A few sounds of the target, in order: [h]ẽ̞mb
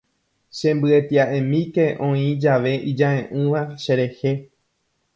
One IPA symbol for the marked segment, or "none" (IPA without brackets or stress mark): ʃ